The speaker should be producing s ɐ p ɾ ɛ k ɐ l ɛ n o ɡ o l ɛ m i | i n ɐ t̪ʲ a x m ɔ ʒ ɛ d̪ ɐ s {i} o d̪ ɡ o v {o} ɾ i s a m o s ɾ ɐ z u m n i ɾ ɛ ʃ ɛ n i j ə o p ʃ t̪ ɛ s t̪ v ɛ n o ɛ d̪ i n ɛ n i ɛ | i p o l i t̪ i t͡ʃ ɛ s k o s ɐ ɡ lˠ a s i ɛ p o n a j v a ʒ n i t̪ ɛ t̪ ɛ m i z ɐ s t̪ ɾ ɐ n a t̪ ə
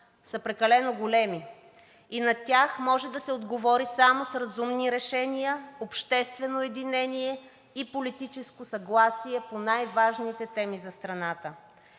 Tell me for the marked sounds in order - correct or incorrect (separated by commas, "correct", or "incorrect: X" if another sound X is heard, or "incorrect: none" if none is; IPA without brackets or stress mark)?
incorrect: ɛ, incorrect: ɔ